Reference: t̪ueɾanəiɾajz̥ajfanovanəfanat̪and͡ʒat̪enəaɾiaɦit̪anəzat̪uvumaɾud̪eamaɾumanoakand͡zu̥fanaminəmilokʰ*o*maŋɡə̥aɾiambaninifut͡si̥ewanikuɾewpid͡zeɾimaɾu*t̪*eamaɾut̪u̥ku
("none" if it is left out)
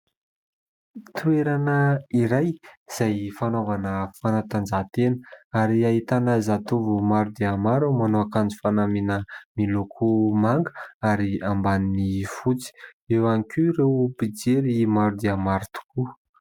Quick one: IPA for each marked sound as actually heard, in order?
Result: u, d̪

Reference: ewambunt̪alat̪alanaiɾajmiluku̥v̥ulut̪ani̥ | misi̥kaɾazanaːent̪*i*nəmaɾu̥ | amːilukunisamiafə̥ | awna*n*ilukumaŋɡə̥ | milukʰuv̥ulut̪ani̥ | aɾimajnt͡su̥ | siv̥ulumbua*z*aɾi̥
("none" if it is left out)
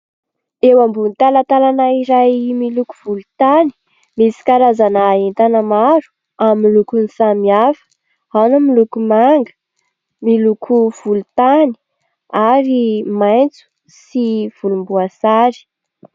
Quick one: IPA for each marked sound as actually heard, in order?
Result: a, m, s

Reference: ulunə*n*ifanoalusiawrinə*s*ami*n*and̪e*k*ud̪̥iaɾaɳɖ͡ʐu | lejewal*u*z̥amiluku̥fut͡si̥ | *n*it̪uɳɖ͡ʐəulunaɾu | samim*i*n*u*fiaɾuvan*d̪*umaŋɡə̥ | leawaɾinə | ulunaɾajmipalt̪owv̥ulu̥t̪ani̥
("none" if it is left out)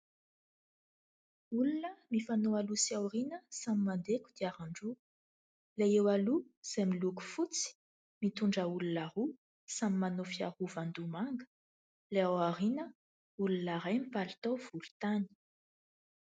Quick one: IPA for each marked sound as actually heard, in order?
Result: m, s, m, k, u, m, a, o, d̪

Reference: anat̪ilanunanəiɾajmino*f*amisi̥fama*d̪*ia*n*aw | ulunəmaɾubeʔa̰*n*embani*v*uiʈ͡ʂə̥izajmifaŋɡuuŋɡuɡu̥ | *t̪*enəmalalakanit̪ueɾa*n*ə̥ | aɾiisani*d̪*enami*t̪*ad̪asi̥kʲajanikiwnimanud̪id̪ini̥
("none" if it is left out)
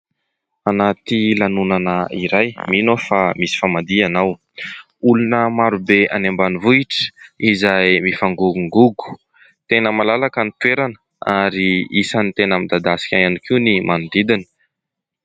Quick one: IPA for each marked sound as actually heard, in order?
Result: f, d̪, n, n, v, t̪, n, t̪, d̪

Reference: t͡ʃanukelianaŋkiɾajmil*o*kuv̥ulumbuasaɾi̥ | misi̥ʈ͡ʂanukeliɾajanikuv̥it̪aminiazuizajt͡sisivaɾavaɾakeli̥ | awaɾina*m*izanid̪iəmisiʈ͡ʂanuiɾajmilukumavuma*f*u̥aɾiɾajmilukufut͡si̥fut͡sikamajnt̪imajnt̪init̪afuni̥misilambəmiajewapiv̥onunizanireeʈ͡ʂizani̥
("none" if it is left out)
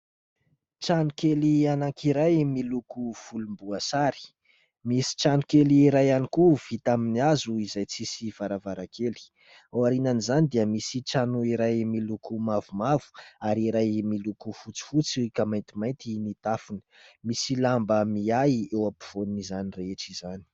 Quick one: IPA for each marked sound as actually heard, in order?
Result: u, n, v

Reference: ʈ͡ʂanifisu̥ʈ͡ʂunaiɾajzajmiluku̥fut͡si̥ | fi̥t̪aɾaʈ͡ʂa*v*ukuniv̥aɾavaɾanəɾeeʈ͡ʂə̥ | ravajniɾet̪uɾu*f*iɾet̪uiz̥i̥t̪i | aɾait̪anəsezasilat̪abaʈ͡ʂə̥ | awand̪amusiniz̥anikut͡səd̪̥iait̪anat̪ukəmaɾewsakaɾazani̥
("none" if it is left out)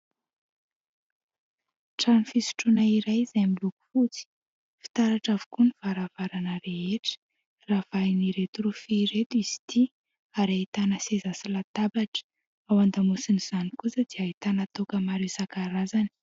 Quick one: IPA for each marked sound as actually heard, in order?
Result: v, f

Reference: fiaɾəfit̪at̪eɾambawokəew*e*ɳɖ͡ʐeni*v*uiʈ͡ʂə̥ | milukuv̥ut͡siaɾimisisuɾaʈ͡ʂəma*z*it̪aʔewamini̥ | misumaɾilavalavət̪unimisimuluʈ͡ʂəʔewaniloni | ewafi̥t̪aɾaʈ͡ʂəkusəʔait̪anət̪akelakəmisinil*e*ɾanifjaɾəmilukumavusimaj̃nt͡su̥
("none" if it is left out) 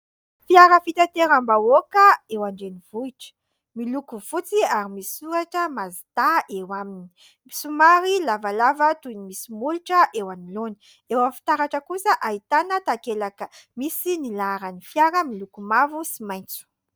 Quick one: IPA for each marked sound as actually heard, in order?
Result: a, v, z, a

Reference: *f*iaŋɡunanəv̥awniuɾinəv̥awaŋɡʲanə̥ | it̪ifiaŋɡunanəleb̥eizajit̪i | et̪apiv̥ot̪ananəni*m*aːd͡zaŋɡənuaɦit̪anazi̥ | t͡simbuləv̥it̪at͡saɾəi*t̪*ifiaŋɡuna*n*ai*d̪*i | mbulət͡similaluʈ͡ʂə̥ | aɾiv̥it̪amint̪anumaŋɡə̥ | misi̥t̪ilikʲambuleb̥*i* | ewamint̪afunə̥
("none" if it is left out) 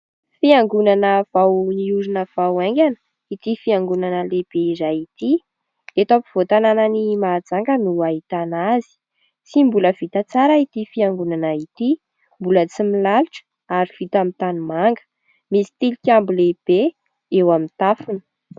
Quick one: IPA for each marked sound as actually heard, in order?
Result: f, m, t̪, n, t̪, e

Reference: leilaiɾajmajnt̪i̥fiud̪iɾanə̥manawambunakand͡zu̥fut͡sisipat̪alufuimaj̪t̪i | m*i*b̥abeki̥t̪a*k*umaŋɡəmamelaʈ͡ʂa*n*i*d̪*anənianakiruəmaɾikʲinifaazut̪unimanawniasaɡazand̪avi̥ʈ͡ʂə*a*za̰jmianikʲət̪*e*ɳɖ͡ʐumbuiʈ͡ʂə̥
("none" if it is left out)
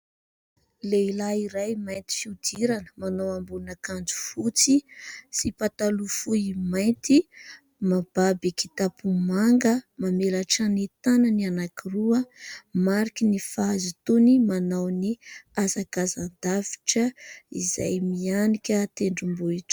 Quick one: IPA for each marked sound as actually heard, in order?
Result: a, p, n, t̪, i, e

